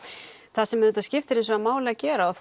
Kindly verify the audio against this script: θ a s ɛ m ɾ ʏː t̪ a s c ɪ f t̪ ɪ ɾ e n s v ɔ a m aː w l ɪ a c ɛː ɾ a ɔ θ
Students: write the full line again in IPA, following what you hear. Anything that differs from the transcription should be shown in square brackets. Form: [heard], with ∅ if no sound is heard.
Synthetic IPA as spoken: θ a s ɛ m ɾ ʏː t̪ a s c ɪ f t̪ ɪ ɾ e n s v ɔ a m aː w l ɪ a c ɛː ɾ a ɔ θ